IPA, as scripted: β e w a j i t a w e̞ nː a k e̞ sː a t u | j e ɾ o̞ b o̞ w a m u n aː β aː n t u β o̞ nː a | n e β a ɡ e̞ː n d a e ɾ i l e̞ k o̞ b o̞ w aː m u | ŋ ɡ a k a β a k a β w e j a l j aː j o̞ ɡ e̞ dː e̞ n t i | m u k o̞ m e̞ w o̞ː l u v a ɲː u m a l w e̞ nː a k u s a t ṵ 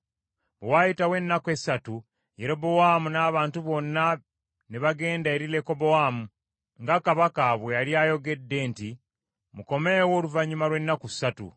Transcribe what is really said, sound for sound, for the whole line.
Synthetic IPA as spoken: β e w a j i t a w e̞ nː a k e̞ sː a t u | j e ɾ o̞ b o̞ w a m u n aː β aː n t u β o̞ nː a | n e β a ɡ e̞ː n d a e ɾ i l e̞ k o̞ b o̞ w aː m u | ŋ ɡ a k a β a k a β w e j a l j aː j o̞ ɡ e̞ dː e̞ n t i | m u k o̞ m e̞ w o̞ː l u v a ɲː u m a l w e̞ nː a k u s a t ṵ